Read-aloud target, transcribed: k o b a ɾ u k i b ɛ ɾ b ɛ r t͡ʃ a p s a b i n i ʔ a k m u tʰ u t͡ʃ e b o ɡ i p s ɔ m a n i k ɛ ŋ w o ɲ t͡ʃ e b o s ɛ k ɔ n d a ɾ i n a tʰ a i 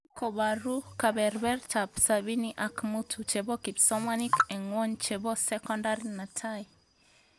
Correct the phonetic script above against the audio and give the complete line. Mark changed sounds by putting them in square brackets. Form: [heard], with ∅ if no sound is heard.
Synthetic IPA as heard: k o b a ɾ u k [a] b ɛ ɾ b ɛ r t͡ʃ a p s a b i n i ʔ a k m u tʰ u t͡ʃ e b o [k] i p s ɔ m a n i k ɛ ŋ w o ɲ t͡ʃ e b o s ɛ k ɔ n d a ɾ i n a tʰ a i